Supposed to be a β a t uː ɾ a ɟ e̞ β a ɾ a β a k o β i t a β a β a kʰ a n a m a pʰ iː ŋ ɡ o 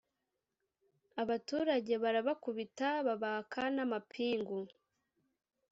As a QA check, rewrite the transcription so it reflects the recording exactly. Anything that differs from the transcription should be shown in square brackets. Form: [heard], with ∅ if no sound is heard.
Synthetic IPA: a β a t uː ɾ a ɟ e̞ β a ɾ a β a k [u] β i t a β a β a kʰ a n a m a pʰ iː ŋ ɡ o